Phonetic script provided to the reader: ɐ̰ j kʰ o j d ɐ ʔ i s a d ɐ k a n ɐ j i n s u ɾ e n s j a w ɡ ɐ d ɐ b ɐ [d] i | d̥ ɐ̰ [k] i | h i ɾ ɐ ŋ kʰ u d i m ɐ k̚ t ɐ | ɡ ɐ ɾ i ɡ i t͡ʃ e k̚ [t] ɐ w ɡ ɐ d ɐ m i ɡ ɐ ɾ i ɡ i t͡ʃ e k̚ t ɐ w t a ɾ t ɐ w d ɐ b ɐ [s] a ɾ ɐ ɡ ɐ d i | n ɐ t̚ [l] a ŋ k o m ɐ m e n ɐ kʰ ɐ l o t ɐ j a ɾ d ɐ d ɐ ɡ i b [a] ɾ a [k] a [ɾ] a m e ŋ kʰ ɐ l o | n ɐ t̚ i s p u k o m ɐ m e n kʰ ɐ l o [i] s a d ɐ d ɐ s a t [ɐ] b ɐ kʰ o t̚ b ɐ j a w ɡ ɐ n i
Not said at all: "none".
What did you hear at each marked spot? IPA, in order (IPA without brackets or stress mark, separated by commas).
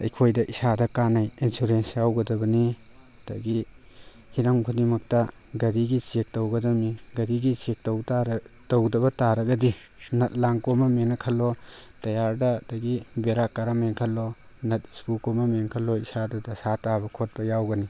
n, ɡ, t, t, l, e, k, ɾ, i, a